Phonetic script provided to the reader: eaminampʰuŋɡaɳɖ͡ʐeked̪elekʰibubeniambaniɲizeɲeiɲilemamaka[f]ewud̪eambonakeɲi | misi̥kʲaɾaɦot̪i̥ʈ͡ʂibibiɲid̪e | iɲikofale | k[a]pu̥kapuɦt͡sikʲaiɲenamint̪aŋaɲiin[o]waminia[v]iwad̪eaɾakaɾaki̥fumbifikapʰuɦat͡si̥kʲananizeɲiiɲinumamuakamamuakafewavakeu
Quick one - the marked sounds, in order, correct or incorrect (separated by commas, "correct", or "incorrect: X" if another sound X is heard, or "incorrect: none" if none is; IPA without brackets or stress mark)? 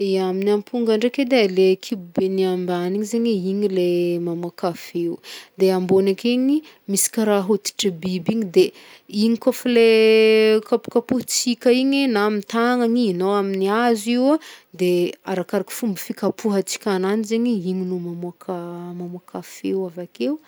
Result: correct, correct, correct, incorrect: z